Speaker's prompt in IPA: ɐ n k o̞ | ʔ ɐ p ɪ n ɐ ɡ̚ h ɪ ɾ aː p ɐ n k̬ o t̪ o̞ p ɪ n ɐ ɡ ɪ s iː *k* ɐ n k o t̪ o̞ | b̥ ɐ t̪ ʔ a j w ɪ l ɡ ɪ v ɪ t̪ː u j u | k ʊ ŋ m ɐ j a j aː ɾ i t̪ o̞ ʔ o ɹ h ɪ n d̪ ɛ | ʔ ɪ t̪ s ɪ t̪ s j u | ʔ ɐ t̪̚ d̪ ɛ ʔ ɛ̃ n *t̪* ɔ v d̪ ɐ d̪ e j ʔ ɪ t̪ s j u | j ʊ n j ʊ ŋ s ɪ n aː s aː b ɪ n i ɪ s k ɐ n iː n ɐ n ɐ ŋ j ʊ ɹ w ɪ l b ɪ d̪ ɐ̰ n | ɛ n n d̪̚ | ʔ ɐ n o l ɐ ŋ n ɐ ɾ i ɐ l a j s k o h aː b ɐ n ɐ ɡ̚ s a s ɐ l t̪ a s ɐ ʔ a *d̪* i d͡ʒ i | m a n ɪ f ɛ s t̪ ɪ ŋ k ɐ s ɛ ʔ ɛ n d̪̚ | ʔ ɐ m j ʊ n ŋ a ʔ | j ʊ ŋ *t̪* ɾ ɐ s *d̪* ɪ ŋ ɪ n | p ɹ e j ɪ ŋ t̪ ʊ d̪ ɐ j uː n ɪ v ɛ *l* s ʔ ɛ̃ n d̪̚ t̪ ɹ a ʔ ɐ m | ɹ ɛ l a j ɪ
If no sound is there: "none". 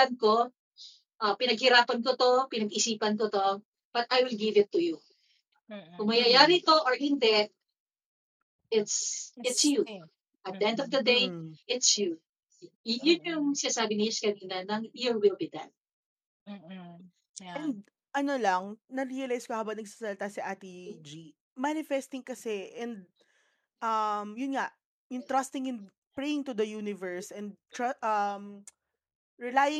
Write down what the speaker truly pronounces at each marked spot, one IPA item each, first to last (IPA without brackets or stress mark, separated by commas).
p, d̪, t̪, t̪, t̪, ɹ